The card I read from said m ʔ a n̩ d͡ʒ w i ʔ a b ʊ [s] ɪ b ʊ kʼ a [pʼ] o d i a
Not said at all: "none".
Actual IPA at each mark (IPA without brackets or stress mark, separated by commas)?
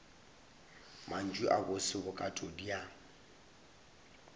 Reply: s, tʼ